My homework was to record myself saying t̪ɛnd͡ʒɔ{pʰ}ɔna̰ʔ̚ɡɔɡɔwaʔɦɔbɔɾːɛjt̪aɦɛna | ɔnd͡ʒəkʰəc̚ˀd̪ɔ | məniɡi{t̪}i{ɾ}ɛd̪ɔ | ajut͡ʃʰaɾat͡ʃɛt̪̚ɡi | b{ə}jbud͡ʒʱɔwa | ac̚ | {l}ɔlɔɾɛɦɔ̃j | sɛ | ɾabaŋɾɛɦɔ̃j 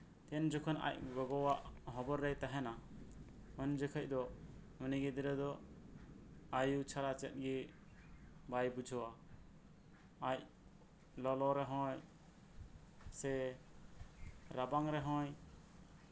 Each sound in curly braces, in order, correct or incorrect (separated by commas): incorrect, incorrect, correct, incorrect, correct